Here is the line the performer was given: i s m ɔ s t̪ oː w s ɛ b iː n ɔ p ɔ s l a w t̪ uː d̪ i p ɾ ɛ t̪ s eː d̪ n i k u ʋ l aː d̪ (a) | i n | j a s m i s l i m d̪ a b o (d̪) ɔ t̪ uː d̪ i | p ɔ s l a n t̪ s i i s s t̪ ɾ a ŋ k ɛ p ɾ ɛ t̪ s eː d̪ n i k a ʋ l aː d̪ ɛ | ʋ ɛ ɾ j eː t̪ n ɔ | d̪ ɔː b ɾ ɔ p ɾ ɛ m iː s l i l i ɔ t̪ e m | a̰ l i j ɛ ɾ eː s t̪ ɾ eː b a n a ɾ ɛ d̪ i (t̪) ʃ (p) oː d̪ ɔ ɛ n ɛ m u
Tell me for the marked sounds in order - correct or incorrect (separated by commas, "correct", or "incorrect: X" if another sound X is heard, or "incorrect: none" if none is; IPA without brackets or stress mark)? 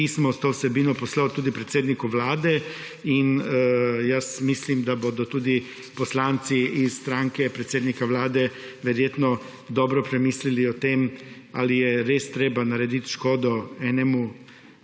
incorrect: ɛ, correct, correct, incorrect: k